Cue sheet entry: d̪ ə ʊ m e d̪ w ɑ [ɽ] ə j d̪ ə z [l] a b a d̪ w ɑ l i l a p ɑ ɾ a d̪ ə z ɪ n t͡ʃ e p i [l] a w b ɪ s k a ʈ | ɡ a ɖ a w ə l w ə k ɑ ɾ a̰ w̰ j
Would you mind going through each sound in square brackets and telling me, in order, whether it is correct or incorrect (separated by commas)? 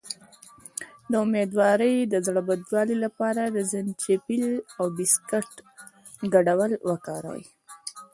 incorrect, incorrect, correct